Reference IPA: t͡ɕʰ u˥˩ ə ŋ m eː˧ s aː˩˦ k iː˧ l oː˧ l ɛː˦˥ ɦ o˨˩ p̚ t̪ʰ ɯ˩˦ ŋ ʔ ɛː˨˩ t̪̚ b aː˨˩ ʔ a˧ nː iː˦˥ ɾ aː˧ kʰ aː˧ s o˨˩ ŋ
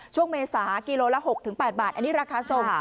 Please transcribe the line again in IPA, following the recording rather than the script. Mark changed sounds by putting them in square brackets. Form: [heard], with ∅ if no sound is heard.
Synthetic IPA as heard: t͡ɕʰ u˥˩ ə ŋ m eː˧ s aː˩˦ k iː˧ l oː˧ l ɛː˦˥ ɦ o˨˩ [k̚] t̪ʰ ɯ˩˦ ŋ [p] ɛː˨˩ t̪̚ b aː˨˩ ʔ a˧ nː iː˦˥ ɾ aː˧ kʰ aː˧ s o˨˩ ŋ